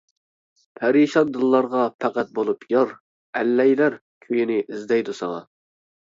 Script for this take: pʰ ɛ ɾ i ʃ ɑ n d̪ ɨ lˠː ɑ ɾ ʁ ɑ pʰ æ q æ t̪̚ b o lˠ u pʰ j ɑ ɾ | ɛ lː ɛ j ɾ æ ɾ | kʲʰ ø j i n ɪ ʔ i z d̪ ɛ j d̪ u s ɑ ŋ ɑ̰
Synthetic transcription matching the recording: pʰ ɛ ɾ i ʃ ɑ n d̪ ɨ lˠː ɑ ɾ ʁ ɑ pʰ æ q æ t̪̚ b o lˠ u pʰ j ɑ ɾ | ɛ lː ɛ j l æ ɾ | kʲʰ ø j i n ɪ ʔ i z d̪ ɛ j d̪ u s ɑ ŋ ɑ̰